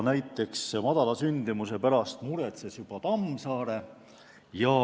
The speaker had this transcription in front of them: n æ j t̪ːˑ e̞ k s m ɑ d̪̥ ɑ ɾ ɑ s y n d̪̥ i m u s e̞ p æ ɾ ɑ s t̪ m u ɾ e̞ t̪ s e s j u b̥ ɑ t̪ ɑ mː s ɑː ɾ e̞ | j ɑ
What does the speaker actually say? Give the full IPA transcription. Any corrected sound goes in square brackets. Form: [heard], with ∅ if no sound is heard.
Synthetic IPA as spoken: n æ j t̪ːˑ e̞ k s m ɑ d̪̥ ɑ [l] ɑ s y n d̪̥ i m u s e̞ p æ ɾ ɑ s t̪ m u ɾ e̞ t̪ s e s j u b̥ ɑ t̪ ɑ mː s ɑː ɾ e̞ | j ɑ